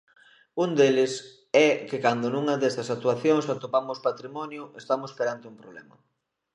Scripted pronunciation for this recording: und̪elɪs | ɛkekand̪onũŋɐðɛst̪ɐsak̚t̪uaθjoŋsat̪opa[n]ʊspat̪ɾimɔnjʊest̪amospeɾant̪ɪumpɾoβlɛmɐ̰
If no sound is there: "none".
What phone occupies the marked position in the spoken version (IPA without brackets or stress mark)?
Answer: m